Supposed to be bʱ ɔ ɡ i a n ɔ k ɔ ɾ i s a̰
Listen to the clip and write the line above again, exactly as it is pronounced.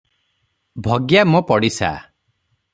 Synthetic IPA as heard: bʱ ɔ ɡ j a m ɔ p ɔ ɽ i s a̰